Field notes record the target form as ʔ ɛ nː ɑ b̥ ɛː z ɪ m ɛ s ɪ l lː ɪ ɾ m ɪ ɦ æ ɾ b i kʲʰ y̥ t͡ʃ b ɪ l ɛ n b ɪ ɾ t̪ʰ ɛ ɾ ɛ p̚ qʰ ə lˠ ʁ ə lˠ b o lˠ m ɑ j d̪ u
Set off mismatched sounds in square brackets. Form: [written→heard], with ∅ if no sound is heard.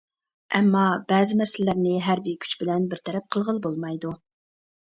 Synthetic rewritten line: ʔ ɛ [nː→mː] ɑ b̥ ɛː z ɪ m ɛ s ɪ l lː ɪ ɾ [m→n] ɪ ɦ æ ɾ b i kʲʰ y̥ t͡ʃ b ɪ l ɛ n b ɪ ɾ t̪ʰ ɛ ɾ ɛ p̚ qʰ ə lˠ ʁ ə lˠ b o lˠ m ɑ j d̪ u